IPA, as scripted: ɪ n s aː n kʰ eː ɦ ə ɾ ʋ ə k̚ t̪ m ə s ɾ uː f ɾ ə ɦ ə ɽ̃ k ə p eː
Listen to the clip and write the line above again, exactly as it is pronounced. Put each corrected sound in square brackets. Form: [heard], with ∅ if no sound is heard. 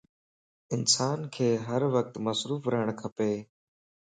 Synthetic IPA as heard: ɪ n s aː n kʰ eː ɦ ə ɾ ʋ ə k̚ t̪ m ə s ɾ uː f ɾ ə ɦ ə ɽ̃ [kʰ] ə p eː